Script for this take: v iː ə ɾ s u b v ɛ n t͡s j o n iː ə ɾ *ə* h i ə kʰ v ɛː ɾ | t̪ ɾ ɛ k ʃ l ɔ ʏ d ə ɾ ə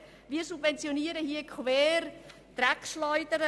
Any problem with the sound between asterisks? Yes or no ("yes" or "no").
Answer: no